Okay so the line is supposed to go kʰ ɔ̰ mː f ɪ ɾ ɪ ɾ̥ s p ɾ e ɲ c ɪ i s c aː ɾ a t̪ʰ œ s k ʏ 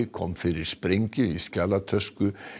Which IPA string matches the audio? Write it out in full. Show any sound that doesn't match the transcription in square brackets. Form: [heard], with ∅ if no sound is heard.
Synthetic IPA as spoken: kʰ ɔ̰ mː f ɪ ɾ ɪ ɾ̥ s p ɾ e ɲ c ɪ i s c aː [l] a t̪ʰ œ s k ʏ